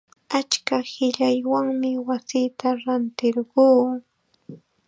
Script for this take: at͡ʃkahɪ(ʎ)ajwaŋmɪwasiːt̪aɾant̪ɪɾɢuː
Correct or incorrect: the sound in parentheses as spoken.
correct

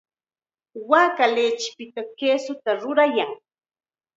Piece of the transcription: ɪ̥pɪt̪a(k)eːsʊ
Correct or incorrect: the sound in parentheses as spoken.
correct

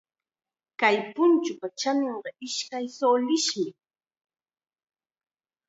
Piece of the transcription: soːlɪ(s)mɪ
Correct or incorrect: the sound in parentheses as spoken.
incorrect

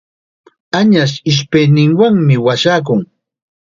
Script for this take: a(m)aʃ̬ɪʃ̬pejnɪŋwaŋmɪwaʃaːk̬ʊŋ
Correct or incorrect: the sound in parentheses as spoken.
incorrect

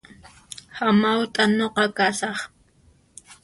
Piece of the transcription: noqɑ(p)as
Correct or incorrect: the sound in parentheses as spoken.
incorrect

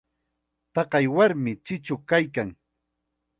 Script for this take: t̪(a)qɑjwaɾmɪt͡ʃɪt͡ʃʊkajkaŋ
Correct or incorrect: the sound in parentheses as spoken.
incorrect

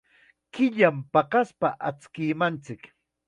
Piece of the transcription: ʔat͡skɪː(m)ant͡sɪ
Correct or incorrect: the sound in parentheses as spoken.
correct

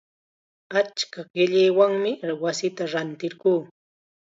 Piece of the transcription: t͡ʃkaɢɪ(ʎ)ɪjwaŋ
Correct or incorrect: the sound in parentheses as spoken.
correct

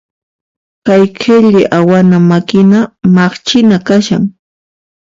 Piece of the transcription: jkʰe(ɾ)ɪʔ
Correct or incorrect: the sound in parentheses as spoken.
incorrect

